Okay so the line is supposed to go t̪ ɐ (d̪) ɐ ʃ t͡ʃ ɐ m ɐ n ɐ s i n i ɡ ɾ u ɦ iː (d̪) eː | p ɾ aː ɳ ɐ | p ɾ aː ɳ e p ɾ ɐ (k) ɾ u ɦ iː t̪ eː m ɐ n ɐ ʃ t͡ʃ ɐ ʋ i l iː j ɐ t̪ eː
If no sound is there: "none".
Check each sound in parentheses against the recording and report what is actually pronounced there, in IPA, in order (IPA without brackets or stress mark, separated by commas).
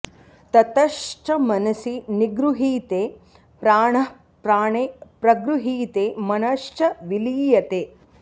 t̪, t̪, ɡ